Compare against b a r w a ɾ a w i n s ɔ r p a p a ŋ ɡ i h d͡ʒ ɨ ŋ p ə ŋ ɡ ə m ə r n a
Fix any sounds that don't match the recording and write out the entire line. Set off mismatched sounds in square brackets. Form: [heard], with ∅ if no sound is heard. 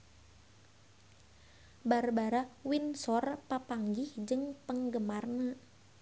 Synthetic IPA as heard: b a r [b] a ɾ a w i n s ɔ r p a p a ŋ ɡ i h d͡ʒ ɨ ŋ p ə ŋ ɡ ə m [a] r n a